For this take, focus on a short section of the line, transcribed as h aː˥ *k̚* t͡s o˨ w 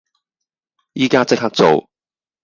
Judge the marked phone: correct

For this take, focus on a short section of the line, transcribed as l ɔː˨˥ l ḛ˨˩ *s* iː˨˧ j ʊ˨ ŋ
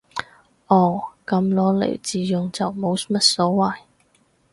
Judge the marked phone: incorrect: t͡s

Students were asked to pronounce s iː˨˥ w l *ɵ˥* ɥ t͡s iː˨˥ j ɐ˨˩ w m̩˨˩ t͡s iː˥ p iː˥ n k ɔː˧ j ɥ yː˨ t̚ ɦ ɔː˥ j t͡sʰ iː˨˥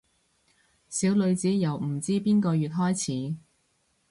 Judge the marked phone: incorrect: ɵ˨˧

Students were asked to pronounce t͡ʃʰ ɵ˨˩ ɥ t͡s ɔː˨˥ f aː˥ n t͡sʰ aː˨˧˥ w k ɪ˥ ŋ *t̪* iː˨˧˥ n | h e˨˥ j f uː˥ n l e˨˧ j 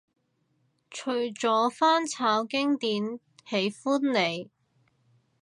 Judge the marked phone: correct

